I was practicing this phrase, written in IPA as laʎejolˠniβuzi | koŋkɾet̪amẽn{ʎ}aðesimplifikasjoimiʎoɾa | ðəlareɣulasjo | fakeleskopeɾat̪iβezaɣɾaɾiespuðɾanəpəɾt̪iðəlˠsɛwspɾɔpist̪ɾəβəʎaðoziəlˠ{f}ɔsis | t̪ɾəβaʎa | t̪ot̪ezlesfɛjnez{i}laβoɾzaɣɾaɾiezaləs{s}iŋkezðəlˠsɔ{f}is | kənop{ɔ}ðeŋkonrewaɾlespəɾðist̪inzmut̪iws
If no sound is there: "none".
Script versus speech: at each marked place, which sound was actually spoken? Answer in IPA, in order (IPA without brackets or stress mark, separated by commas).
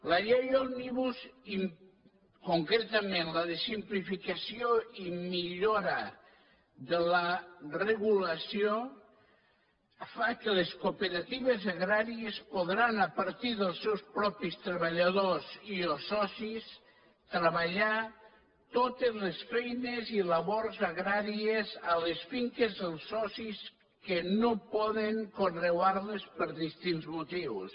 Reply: l, s, i, f, s, ɔ